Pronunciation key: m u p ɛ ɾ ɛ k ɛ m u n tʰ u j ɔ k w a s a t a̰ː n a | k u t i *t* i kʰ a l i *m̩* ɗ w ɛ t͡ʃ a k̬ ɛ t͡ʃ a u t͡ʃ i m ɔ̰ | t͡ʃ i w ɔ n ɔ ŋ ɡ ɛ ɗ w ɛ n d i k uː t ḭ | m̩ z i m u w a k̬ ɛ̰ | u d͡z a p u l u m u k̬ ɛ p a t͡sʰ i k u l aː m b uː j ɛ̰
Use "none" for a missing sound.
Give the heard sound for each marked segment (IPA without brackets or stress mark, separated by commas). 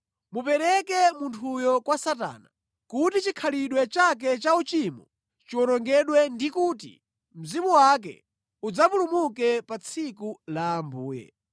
t͡ʃ, none